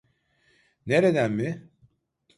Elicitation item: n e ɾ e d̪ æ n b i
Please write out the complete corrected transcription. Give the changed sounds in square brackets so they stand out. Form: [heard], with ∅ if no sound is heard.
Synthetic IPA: n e ɾ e d̪ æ n [m] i

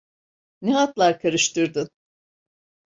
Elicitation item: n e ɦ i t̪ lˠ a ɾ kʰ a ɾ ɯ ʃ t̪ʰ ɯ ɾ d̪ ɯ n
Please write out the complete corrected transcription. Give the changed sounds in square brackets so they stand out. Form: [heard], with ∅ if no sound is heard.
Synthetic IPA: n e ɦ [a] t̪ lˠ a ɾ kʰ a ɾ ɯ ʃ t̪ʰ ɯ ɾ d̪ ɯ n

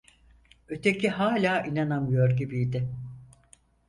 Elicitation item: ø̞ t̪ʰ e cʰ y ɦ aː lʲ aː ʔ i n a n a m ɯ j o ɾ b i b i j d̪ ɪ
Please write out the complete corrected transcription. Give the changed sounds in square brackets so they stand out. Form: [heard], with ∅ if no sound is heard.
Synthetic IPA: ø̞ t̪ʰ e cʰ [i] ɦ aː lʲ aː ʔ i n a n a m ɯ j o ɾ [ɟ] i b i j d̪ ɪ

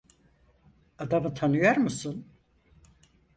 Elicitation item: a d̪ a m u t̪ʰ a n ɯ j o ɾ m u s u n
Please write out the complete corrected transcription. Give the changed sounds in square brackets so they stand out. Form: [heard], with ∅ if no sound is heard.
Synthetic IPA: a d̪ a m [ɯ] t̪ʰ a n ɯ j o ɾ m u s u n

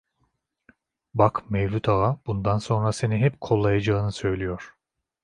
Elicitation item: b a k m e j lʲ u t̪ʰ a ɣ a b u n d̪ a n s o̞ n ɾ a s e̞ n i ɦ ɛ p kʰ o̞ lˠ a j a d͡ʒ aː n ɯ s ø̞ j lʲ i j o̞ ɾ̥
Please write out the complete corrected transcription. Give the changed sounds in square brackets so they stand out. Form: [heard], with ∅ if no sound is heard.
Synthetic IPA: b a k m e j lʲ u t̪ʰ a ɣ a b u n d̪ a n s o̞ n ɾ a s e̞ n i ɦ ɛ p kʰ o̞ [lˠː] a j a d͡ʒ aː n ɯ s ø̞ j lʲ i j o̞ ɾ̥

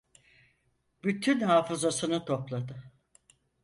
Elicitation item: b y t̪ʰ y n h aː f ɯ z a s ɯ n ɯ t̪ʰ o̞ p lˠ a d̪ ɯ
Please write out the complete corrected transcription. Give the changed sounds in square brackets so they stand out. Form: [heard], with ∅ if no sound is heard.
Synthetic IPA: b y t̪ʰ y n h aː f ɯ z a s ɯ n ɯ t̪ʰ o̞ p lˠ a d̪ ɯ

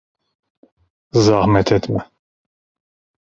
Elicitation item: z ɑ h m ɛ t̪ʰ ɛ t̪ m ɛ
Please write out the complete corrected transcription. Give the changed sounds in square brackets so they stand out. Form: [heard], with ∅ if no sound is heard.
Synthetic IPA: z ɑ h m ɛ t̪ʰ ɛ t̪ m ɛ

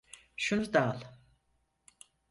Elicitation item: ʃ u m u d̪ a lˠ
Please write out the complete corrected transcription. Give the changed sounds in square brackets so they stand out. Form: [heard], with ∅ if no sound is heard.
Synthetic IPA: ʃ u [n] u d̪ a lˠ

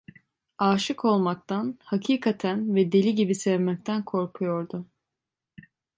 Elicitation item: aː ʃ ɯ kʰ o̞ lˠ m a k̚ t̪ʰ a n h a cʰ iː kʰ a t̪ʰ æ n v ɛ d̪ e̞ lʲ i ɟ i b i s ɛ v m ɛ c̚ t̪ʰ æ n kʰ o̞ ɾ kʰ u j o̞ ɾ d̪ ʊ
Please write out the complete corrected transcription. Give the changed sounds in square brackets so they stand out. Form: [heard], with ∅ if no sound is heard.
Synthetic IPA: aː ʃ ɯ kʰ o̞ lˠ m a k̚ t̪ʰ a n h a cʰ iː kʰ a t̪ʰ æ n v ɛ d̪ e̞ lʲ i ɟ i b i s ɛ v m ɛ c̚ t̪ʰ æ n kʰ o̞ ɾ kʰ u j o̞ ɾ d̪ ʊ

